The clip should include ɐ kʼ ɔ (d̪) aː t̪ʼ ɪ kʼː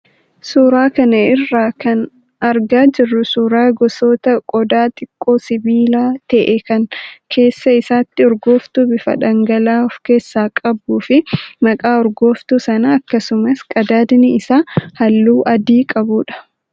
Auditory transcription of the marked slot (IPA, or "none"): d̪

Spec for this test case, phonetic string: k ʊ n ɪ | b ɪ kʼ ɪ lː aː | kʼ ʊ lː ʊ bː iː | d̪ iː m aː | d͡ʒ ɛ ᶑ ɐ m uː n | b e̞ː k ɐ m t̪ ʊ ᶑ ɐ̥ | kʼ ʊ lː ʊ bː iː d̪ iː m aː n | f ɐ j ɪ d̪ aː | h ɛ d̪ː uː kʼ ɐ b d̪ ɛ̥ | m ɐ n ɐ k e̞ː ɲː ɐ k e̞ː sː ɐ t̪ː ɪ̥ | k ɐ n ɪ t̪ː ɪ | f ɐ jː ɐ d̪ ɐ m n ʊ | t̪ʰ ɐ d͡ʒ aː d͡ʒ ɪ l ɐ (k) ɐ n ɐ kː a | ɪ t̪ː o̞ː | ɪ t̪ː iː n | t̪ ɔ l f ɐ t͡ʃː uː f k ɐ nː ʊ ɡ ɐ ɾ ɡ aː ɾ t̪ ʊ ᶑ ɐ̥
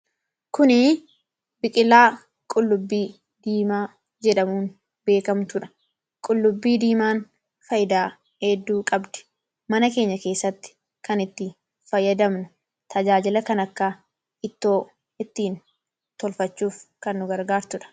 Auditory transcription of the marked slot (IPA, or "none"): k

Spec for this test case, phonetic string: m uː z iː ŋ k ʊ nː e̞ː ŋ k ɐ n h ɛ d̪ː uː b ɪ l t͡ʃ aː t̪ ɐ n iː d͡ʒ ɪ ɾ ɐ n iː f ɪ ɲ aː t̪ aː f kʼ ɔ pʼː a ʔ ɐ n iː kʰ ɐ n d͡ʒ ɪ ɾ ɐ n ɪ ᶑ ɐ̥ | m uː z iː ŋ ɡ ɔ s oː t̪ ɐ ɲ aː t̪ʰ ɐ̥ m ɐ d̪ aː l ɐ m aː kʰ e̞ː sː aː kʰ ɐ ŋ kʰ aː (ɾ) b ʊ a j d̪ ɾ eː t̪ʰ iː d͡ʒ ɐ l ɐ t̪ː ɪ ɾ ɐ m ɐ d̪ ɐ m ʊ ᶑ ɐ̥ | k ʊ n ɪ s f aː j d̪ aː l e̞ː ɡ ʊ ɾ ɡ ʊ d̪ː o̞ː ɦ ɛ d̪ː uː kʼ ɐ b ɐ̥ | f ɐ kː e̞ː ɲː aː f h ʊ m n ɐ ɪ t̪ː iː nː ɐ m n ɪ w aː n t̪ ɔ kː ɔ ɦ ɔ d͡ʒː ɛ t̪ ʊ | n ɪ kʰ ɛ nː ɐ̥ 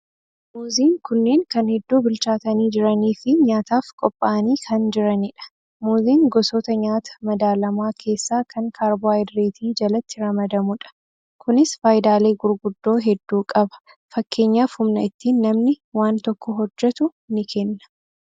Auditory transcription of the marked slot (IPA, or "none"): ɾ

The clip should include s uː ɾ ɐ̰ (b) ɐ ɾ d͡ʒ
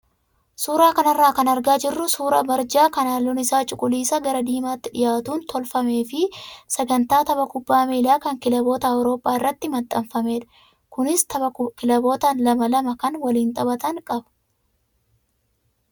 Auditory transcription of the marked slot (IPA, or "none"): b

